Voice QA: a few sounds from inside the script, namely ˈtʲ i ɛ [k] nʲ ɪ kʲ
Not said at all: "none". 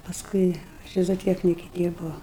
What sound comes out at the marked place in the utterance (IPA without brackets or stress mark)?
k